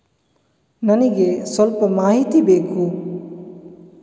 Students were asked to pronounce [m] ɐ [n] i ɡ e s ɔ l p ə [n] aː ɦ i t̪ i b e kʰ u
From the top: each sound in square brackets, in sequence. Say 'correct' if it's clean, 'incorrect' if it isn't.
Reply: incorrect, correct, incorrect

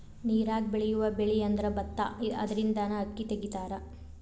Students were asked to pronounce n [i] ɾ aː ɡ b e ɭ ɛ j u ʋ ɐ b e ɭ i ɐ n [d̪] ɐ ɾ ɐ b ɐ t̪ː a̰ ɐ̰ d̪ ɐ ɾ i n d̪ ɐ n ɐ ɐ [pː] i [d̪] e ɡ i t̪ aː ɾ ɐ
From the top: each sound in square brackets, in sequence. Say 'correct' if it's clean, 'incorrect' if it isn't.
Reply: incorrect, correct, incorrect, incorrect

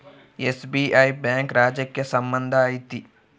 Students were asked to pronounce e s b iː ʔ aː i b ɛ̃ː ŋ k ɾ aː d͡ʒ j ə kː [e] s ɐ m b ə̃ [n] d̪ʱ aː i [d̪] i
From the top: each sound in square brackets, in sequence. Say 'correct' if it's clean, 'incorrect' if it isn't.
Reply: correct, correct, incorrect

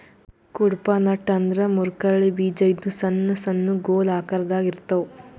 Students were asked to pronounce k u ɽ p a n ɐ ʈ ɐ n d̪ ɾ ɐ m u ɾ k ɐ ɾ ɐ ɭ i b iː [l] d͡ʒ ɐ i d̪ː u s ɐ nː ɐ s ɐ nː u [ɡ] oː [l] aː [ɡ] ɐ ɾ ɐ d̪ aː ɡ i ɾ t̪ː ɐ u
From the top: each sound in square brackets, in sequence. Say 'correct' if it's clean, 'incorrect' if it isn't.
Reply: incorrect, correct, correct, incorrect

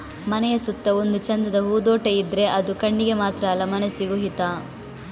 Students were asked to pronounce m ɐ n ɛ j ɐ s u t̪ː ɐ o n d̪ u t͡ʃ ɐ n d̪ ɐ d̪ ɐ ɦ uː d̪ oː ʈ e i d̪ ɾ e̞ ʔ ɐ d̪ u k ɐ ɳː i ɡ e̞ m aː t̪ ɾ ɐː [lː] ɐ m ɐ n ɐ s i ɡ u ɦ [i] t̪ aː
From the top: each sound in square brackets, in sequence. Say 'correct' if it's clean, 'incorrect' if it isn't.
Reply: incorrect, correct

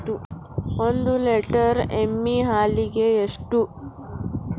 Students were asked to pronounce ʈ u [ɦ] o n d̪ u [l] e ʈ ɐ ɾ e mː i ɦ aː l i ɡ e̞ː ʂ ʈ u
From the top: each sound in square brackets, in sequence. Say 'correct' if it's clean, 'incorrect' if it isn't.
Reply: incorrect, correct

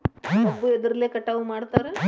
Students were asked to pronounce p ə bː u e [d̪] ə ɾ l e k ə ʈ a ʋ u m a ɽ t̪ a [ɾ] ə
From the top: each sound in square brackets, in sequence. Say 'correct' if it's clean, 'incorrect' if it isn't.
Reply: correct, correct

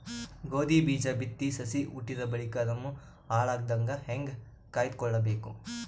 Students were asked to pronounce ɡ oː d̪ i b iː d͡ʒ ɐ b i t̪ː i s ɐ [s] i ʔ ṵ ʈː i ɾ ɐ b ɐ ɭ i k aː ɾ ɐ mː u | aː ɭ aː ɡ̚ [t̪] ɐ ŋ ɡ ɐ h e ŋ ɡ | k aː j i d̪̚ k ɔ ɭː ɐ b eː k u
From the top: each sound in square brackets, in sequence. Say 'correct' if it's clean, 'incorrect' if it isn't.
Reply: correct, incorrect

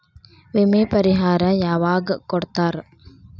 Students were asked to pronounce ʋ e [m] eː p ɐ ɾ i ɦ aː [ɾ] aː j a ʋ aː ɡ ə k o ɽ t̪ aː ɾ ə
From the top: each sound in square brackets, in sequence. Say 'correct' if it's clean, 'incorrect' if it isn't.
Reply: correct, correct

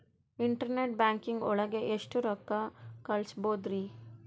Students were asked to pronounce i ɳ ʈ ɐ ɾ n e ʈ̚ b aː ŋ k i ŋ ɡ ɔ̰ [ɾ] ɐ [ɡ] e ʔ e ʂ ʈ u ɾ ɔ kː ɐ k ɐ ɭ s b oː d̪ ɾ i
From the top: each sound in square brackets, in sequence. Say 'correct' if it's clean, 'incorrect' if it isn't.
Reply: incorrect, correct

